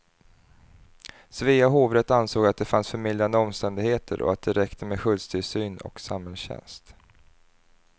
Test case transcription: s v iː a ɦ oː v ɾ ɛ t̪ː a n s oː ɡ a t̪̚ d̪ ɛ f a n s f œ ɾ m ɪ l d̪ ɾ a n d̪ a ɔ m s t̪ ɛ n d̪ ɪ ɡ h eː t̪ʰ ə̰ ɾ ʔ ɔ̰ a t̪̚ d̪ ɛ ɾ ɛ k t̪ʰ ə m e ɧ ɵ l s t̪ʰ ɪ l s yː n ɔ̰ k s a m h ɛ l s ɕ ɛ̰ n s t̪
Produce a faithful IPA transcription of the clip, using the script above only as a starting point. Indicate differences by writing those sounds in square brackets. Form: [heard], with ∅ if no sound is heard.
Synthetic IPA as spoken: s v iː a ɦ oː v ɾ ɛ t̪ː a n s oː ɡ a t̪̚ d̪ ɛ f a n s f œ ɾ m ɪ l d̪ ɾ a n d̪ [ə] ɔ m s t̪ ɛ n d̪ ɪ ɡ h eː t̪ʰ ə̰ ɾ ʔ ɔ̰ a t̪̚ d̪ ɛ ɾ ɛ k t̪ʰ ə m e ɧ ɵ l s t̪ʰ ɪ l s yː n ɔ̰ k s a m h ɛ l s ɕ ɛ̰ n s t̪

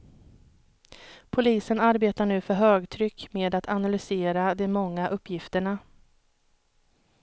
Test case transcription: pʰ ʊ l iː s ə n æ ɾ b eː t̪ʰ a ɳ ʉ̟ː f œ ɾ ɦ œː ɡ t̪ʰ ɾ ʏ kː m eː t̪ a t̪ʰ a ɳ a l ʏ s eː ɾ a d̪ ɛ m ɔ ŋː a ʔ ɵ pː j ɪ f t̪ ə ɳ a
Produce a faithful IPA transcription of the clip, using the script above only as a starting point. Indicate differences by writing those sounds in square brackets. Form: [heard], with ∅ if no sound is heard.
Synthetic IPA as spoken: pʰ ʊ l iː s ə n [a] ɾ b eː [t̪] a ɳ ʉ̟ː f œ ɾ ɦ [øː] ɡ t̪ʰ ɾ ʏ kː m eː [d̪] a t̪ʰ a [n] a l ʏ s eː ɾ a d̪ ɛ m ɔ ŋː a ʔ ɵ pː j ɪ f t̪ ə ɳ a

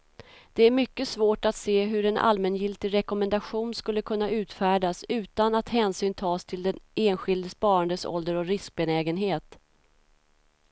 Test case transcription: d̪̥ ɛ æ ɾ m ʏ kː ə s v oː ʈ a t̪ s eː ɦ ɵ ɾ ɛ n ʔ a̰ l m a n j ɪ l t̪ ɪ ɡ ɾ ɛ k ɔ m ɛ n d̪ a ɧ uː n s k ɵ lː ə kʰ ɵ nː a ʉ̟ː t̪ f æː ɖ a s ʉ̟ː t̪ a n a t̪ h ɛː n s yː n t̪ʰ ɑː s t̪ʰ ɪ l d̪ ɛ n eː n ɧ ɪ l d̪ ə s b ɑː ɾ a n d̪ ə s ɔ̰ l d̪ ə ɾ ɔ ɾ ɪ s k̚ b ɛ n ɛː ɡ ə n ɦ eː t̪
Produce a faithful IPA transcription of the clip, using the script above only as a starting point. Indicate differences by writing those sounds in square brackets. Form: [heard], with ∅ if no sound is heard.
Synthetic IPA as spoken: d̪̥ ɛ æ ɾ m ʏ kː ə s v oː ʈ a t̪ s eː ɦ ɵ ɾ ɛ n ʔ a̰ l m [ɛ] n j ɪ l t̪ ɪ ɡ ɾ ɛ k ɔ m ɛ n d̪ a ɧ uː n s k ɵ lː ə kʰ ɵ nː a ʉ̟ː t̪ f æː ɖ a s ʉ̟ː t̪ a n a t̪ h ɛː n s yː n t̪ʰ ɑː s t̪ʰ ɪ l d̪ ɛ n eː n ɧ ɪ l d̪ ə s [p] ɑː ɾ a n d̪ ə s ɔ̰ l d̪ ə ɾ ɔ ɾ ɪ s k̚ b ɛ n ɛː ɡ ə n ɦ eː t̪

